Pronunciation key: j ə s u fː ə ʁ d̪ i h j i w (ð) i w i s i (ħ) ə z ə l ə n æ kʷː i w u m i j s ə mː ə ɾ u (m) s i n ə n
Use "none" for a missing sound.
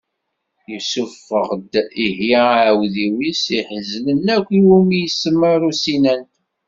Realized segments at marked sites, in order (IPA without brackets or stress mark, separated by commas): ð, ħ, none